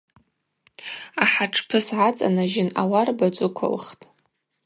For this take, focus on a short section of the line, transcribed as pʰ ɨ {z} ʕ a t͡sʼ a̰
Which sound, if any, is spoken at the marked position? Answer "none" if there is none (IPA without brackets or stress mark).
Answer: s